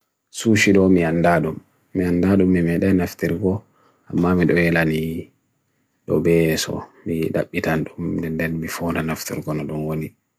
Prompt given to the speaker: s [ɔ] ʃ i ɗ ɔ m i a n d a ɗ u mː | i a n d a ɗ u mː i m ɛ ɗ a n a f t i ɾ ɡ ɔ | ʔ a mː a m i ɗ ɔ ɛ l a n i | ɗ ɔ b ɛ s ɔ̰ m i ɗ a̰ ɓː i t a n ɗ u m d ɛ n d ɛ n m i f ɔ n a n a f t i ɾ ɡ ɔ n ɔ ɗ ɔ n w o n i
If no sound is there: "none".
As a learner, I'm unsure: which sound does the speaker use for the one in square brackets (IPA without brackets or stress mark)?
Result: u